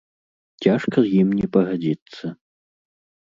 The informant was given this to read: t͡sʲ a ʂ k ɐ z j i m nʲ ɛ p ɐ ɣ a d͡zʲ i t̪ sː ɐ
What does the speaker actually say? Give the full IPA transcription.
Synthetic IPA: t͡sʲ a ʂ k ɐ z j i m nʲ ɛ p ɐ ɣ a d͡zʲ i t̪ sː ɐ